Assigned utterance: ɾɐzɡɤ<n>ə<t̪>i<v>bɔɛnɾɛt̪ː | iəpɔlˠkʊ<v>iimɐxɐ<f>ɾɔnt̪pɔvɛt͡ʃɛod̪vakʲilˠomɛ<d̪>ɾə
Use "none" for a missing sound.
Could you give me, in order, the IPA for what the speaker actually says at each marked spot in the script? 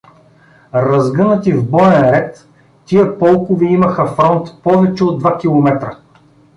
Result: n, t̪, v, v, f, t̪

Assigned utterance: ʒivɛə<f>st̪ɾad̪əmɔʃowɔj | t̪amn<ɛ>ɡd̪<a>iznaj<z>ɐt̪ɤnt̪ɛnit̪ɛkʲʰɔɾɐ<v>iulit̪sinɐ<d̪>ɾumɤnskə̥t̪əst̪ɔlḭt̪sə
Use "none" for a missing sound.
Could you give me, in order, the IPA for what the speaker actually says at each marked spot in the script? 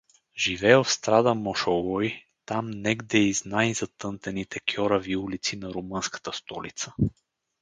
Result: f, ɛ, ɛ, z, v, none

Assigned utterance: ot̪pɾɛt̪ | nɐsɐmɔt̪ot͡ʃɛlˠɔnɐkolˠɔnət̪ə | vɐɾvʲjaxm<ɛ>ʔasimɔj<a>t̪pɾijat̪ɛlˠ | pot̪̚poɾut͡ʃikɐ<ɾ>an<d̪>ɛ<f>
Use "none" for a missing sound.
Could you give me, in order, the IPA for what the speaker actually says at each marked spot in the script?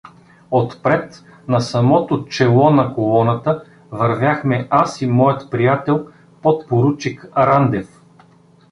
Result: ɛ, ə, ɾ, d̪, f

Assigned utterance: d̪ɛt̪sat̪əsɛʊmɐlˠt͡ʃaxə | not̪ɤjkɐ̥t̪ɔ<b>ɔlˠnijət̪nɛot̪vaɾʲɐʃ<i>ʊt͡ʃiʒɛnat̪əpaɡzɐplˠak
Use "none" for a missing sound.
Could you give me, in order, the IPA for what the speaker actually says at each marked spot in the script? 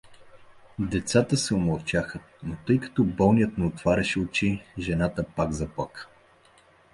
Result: b, ɛ

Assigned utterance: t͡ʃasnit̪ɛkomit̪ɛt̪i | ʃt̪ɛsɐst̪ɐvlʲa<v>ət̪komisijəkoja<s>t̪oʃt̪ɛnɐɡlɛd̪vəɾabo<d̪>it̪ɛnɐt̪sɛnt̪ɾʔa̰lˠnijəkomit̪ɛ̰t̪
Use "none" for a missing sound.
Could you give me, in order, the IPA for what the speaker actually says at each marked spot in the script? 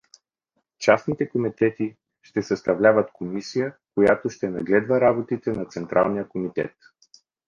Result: v, none, t̪

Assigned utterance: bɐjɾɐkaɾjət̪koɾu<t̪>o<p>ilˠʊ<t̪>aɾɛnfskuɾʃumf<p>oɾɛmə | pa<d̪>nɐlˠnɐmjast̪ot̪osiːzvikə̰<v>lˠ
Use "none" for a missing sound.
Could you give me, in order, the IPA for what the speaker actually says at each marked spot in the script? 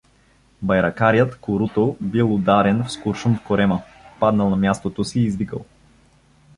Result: t̪, b, d̪, k, d̪, none

